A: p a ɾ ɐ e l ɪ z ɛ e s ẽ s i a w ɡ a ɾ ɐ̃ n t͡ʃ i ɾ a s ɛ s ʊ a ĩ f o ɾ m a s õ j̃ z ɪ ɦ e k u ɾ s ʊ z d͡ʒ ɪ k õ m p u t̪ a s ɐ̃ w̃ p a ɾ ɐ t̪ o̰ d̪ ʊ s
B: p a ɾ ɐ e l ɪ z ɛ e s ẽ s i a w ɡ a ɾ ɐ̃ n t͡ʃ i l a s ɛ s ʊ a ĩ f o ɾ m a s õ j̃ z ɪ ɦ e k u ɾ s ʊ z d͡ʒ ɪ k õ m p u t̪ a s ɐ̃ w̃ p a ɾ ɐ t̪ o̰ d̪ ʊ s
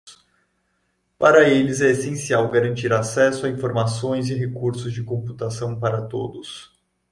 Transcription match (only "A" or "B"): A